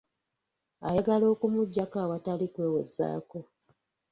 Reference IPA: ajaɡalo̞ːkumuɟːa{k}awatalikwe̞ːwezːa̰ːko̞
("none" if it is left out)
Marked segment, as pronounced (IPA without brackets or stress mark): k